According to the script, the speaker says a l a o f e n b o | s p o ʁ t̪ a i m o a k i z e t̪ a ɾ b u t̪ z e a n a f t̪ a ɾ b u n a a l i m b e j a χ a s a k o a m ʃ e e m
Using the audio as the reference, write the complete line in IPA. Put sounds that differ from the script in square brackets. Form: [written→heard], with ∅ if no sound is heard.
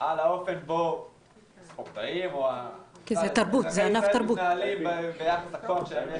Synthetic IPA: a l a o f e n b o | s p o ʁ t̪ a i m o a k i z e t̪ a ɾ b u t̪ z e a n a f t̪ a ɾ b u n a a l i m b e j a χ a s a k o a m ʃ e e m

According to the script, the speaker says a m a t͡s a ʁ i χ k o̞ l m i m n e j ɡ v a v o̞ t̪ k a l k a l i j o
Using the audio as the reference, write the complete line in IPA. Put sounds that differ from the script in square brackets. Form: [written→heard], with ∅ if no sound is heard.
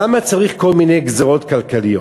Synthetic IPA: a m a t͡s a ʁ i χ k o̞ l m i [m→∅] n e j ɡ [v→z] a [v→ʁ] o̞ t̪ k a l k a l i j o

